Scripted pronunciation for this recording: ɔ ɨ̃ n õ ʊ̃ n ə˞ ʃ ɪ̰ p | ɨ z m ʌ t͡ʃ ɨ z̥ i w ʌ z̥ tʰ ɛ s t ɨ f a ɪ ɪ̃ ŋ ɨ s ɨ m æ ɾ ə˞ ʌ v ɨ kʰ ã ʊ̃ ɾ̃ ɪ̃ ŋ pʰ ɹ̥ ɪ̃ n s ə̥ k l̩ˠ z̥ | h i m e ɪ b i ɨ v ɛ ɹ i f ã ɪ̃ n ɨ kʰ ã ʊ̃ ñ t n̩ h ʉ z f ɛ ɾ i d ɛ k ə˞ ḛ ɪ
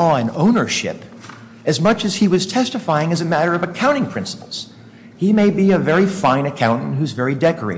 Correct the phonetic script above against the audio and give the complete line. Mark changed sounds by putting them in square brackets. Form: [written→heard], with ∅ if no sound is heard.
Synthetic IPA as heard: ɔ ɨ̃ n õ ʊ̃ n ə˞ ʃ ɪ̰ p | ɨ z m ʌ t͡ʃ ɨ z̥ i w ʌ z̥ tʰ ɛ s t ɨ f a ɪ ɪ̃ ŋ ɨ [s→z] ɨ m æ ɾ ə˞ ʌ v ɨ kʰ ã ʊ̃ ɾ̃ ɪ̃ ŋ pʰ ɹ̥ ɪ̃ n s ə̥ [k→p] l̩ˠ z̥ | h i m e ɪ b i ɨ v ɛ ɹ i f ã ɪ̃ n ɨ kʰ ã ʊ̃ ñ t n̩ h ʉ z [f→v] ɛ [ɾ→ɹ] i d ɛ k ə˞ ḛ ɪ